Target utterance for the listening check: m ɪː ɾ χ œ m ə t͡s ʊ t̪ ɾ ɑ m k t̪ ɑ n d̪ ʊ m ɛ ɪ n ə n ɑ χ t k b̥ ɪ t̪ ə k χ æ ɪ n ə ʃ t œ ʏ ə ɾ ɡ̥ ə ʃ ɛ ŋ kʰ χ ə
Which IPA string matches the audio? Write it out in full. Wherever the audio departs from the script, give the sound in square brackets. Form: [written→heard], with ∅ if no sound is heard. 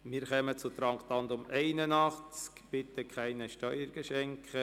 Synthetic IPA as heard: m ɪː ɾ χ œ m ə t͡s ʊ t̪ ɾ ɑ [m→ŋ] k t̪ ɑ n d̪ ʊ m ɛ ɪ n ə n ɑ χ [t→t͡s] k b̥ ɪ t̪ ə k χ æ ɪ n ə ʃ t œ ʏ ə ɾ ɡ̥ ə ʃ ɛ ŋ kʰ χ ə